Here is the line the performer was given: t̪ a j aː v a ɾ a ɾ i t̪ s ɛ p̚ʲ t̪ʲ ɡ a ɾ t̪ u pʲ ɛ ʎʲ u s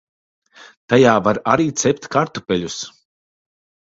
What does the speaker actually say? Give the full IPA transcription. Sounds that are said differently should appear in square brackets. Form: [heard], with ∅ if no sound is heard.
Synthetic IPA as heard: t̪ a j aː v a ɾ a ɾ [iː] t̪ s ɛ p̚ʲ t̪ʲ [k] a ɾ t̪ u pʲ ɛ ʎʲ u s

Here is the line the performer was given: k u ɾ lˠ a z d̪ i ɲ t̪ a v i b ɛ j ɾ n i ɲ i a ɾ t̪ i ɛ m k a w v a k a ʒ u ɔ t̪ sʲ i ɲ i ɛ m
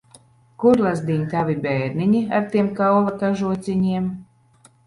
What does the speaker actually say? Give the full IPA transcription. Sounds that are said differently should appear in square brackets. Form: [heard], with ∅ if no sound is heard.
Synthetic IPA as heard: k u ɾ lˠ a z d̪ i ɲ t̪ a v i b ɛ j ɾ n i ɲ i a ɾ t̪ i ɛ m k a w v a k a ʒ u ɔ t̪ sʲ i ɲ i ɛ m

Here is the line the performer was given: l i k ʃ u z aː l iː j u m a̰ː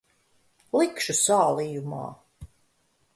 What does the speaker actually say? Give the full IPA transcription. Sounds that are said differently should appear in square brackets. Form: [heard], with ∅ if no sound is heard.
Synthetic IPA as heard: l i k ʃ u [s] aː l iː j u m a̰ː

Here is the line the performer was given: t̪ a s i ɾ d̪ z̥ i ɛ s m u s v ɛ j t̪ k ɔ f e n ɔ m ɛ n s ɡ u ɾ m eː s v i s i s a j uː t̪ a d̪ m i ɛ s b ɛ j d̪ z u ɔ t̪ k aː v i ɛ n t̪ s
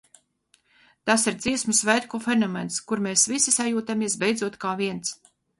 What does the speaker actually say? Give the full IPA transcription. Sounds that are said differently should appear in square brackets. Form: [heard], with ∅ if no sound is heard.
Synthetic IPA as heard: t̪ a s i ɾ d̪ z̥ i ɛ s m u s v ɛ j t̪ k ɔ f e n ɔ m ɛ n s [k] u ɾ m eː s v i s i s a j uː t̪ a [∅] m i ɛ s b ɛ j d̪ z u ɔ t̪ k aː v i ɛ n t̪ s

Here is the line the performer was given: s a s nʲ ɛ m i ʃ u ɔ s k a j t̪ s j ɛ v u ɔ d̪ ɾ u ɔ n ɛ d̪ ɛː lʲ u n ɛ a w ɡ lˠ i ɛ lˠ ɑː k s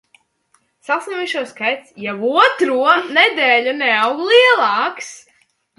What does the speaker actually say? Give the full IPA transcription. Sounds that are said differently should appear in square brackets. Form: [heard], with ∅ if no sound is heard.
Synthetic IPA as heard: s a s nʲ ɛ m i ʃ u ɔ s k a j t̪ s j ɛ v u ɔ [t̪] ɾ u ɔ n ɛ d̪ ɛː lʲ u n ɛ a w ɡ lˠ i ɛ lˠ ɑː k s

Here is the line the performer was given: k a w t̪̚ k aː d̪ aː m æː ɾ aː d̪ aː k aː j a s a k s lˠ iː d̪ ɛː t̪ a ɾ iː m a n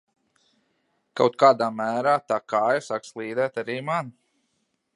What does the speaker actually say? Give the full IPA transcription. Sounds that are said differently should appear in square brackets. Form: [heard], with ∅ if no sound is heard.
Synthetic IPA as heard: k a w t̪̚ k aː d̪ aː m æː ɾ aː [t̪] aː k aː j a s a k s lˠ iː d̪ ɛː t̪ a ɾ iː m a n

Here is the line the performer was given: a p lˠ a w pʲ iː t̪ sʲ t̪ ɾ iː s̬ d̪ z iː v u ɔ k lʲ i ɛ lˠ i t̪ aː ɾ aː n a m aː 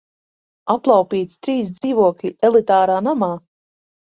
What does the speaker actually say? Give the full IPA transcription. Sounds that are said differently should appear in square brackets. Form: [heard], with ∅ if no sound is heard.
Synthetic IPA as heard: a p lˠ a w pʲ iː t̪ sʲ t̪ ɾ iː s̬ d̪ z iː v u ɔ k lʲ i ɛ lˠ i t̪ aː ɾ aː n a m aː

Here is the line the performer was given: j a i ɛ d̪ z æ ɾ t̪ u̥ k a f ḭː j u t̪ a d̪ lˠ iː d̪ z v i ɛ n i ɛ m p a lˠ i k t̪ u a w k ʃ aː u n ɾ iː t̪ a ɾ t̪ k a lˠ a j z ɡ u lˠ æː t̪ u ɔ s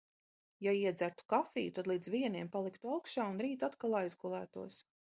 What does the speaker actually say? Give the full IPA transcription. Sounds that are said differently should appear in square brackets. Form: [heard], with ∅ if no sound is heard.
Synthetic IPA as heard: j a i ɛ d̪ z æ ɾ t̪ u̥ k a f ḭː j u t̪ a d̪ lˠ iː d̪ z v i ɛ n i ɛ m p a lˠ i k t̪ u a w k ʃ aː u n ɾ iː t̪ a [∅] t̪ k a lˠ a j z ɡ u lˠ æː t̪ u ɔ s

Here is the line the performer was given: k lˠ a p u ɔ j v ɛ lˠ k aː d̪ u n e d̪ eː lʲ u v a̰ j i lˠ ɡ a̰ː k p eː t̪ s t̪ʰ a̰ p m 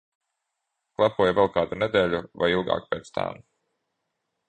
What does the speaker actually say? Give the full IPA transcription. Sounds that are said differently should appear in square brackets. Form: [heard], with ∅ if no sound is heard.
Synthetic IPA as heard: k lˠ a p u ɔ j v ɛ lˠ k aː d̪ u n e d̪ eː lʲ u v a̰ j i lˠ ɡ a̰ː k p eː t̪ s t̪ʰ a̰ [∅] m

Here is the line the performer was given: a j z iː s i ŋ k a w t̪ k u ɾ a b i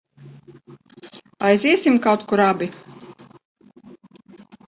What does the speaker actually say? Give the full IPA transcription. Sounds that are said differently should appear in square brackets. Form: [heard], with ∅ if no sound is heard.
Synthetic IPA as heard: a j z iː s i [m] k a w t̪ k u ɾ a b i

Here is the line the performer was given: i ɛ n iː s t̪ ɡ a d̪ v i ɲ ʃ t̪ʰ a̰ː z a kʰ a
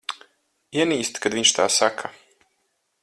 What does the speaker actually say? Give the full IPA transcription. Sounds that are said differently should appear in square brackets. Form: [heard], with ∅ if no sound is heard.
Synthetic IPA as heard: i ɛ n iː s t̪ [k] a d̪ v i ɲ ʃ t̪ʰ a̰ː [s] a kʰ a

